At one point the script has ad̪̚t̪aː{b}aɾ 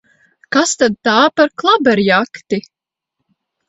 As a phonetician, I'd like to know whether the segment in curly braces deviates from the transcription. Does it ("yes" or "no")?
yes